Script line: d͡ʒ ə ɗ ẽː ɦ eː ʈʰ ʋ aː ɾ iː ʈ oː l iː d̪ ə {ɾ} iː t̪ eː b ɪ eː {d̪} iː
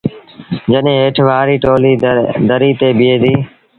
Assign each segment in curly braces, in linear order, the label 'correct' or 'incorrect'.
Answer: correct, correct

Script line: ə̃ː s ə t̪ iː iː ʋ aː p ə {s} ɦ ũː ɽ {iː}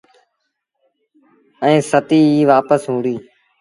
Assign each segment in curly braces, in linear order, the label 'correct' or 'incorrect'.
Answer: correct, correct

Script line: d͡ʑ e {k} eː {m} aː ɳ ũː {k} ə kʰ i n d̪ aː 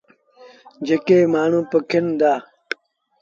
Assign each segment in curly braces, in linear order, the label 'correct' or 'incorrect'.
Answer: correct, correct, incorrect: p

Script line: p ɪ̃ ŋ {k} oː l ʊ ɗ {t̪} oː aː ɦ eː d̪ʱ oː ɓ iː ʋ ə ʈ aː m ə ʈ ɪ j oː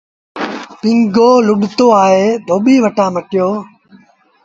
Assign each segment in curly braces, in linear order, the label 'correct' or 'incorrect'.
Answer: incorrect: ɡ, correct

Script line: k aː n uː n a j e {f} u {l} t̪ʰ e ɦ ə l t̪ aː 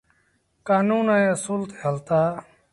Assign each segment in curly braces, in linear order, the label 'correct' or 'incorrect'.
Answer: incorrect: s, correct

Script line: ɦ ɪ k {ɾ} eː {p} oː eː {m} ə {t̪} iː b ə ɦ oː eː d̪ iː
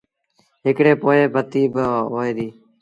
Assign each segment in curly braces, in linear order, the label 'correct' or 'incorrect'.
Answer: incorrect: ɽ, correct, incorrect: b, correct

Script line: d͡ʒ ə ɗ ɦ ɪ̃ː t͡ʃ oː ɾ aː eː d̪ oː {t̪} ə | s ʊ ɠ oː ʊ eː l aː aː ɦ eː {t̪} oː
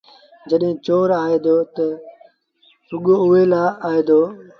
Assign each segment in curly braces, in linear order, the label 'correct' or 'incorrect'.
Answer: correct, incorrect: d̪

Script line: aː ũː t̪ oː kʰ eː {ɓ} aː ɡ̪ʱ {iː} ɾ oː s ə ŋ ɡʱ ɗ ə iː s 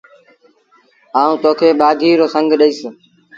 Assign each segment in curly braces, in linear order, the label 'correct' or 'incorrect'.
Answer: correct, correct

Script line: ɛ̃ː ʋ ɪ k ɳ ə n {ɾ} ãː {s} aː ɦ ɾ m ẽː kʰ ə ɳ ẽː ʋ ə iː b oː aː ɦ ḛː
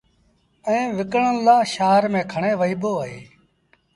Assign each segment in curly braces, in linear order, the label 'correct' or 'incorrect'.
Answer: incorrect: l, incorrect: ʃ

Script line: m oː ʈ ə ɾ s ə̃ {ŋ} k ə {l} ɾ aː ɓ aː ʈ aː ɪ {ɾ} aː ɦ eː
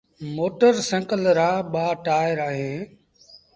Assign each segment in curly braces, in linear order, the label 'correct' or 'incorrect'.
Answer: correct, correct, correct

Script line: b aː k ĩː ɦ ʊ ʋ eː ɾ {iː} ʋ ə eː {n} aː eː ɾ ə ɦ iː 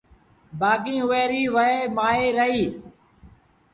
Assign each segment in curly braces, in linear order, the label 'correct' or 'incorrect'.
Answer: correct, incorrect: m

